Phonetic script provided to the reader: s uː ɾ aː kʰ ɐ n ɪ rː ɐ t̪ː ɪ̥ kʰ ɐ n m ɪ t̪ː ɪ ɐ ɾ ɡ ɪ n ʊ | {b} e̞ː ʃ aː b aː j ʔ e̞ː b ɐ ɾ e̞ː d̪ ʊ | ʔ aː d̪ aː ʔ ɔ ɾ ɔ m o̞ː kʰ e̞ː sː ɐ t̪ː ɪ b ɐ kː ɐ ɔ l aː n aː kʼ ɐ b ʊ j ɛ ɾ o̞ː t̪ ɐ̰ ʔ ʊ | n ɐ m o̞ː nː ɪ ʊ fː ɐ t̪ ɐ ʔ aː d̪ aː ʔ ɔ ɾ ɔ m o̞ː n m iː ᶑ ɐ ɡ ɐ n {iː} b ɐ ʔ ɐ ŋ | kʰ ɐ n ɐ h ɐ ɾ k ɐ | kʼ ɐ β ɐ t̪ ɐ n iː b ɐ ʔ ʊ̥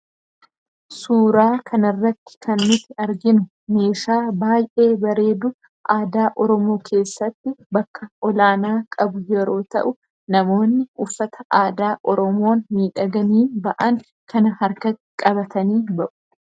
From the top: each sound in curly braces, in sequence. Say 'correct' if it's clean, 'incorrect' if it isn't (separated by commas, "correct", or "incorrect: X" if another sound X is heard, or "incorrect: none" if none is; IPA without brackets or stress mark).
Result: incorrect: m, correct